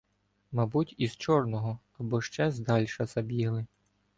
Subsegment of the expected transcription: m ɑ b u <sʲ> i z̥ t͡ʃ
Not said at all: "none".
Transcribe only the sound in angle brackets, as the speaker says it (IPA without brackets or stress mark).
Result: tʲ